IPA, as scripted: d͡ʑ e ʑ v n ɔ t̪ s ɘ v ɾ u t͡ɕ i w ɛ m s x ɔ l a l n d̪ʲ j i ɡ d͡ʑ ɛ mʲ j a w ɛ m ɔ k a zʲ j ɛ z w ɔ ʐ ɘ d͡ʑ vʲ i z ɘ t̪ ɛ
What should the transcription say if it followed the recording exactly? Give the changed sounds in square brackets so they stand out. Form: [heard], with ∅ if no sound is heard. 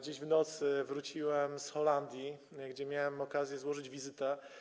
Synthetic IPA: d͡ʑ e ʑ v n ɔ t̪ s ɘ v ɾ u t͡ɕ i w ɛ m s x ɔ l a [∅] n d̪ʲ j i ɡ d͡ʑ ɛ mʲ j a w ɛ m ɔ k a zʲ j ɛ z w ɔ ʐ ɘ d͡ʑ vʲ i z ɘ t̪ ɛ